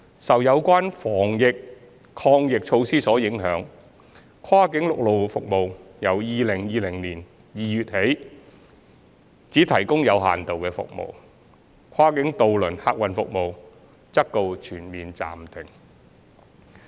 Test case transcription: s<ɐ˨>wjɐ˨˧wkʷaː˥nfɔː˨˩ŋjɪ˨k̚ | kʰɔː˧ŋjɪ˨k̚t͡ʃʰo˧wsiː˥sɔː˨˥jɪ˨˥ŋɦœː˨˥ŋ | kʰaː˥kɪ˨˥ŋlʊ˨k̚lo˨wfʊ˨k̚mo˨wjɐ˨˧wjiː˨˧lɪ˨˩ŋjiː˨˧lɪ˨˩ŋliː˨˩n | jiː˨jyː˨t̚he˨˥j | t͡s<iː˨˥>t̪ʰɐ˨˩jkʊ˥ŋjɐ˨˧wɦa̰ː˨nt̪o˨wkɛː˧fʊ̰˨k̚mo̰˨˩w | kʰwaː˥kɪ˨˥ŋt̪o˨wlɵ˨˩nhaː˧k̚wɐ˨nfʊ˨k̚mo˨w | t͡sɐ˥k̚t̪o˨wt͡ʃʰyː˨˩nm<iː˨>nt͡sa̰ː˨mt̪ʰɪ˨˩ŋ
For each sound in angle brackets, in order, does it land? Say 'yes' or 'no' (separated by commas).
yes, yes, yes